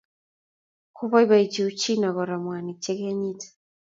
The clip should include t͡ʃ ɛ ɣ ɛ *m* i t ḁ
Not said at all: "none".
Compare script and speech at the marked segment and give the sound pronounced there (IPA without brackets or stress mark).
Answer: ɲ